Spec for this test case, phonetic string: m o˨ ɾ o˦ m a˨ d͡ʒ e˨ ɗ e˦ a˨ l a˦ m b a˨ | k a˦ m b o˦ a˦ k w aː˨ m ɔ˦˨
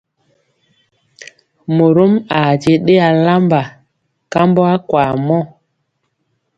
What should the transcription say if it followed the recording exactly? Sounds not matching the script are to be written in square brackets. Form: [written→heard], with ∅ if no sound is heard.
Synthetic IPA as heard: m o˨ ɾ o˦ m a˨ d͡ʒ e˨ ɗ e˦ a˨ l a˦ m b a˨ | k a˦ m b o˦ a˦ k w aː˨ m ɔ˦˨